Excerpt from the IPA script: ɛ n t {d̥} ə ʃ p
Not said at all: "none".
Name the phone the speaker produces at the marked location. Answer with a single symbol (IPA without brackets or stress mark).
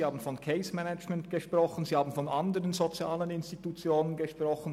ɡ̥